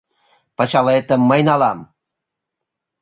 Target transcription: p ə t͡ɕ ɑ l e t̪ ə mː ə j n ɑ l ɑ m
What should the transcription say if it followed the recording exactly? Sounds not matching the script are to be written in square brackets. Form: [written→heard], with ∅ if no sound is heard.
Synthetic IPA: p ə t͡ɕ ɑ l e t̪ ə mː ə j n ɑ l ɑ m